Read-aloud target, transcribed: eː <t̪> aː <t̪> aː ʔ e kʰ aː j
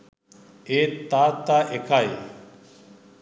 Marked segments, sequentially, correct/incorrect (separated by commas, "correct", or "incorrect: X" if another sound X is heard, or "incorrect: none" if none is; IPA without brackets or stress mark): correct, correct